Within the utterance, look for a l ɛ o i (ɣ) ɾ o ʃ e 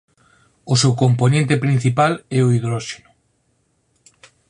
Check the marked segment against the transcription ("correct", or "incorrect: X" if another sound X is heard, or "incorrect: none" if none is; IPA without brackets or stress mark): incorrect: ð